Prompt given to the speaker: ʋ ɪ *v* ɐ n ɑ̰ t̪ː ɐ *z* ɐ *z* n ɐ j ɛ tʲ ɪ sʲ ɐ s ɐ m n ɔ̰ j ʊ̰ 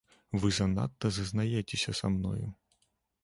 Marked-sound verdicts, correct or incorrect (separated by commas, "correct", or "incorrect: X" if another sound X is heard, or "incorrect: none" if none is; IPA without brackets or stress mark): incorrect: z, correct, correct